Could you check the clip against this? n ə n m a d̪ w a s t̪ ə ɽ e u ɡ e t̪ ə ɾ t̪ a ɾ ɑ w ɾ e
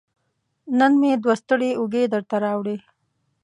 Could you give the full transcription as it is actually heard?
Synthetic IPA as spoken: n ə n m e d̪ w a s t̪ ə ɽ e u ɡ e d̪ ə ɾ t̪ a ɾ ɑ w ɽ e